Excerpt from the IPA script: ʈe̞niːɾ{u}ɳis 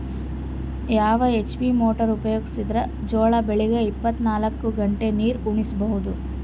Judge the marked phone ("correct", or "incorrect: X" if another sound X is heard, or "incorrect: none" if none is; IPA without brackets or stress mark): correct